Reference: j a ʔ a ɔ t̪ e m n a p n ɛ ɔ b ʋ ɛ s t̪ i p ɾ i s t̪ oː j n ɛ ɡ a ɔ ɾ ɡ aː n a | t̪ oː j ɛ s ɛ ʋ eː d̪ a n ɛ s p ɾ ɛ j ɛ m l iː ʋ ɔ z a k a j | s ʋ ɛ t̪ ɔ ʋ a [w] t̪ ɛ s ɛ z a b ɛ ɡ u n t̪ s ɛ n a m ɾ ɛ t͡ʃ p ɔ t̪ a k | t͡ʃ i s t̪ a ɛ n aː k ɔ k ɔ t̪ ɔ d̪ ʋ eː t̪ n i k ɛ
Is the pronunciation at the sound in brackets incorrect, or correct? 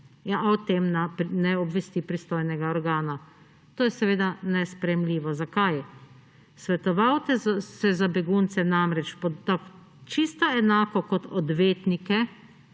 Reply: correct